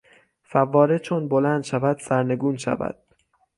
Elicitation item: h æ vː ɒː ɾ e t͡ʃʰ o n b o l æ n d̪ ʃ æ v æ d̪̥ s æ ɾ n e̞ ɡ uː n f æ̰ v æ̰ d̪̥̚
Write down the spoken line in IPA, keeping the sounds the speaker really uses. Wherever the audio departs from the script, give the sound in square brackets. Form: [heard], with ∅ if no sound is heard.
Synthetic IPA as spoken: [f] æ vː ɒː ɾ e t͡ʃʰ o n b o l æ n d̪ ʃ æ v æ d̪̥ s æ ɾ n e̞ ɡ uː n [ʃ] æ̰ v æ̰ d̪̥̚